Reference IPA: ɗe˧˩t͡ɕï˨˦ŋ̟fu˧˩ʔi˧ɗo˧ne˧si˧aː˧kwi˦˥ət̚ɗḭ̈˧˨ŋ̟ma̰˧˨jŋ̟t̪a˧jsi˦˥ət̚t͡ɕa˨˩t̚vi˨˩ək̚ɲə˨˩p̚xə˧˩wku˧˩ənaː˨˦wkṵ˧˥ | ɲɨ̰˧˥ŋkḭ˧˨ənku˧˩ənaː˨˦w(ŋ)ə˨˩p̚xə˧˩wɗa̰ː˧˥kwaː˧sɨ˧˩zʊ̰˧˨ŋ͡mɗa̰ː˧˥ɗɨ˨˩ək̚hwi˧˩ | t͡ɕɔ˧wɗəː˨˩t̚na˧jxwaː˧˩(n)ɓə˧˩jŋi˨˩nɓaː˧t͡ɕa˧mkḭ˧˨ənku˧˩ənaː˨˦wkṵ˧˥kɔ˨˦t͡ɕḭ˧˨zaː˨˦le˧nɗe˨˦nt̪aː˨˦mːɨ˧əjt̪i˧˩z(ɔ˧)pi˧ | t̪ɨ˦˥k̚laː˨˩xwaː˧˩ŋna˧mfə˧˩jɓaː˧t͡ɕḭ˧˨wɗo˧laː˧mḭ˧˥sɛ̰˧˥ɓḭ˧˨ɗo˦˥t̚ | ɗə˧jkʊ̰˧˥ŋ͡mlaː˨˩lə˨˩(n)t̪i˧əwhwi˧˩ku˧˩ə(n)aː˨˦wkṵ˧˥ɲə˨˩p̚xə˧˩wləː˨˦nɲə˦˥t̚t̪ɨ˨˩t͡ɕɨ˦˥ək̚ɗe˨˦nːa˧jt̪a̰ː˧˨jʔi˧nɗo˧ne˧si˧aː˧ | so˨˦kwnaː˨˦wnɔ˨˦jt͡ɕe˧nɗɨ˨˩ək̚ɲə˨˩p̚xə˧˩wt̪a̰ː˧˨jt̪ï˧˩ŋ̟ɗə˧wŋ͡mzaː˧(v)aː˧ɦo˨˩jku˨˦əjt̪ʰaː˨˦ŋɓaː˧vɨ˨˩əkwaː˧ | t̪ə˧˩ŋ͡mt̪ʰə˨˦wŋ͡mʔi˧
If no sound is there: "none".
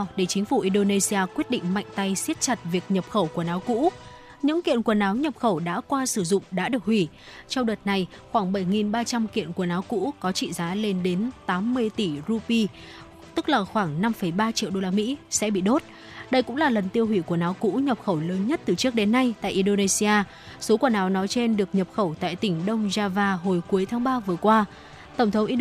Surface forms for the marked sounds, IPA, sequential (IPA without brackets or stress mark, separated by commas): ɲ, ŋ, u˧, n, n, v